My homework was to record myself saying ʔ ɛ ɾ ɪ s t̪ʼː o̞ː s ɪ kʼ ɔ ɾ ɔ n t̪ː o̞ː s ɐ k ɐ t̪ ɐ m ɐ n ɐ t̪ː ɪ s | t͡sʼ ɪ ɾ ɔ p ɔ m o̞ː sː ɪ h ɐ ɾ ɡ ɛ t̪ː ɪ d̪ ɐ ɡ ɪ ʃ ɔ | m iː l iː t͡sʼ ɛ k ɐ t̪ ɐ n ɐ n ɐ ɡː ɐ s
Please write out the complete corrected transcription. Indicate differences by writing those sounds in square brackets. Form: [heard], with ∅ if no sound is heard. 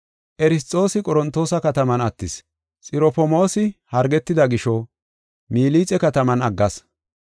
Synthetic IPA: ʔ ɛ ɾ ɪ s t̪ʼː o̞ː s ɪ kʼ ɔ ɾ ɔ n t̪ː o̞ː s ɐ k ɐ t̪ ɐ m ɐ n ɐ t̪ː ɪ s | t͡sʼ ɪ ɾ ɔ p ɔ m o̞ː [s] ɪ h ɐ ɾ ɡ ɛ t̪ː ɪ d̪ ɐ ɡ ɪ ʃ ɔ | m iː l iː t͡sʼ ɛ k ɐ t̪ ɐ [m] ɐ n ɐ ɡː ɐ s